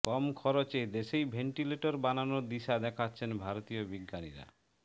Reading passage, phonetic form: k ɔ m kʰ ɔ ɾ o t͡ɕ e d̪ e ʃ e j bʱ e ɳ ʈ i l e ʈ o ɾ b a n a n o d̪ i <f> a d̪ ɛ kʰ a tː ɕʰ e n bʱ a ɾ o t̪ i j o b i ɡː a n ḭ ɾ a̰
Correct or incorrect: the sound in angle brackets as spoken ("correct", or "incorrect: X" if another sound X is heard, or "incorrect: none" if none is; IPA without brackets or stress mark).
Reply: incorrect: ʃ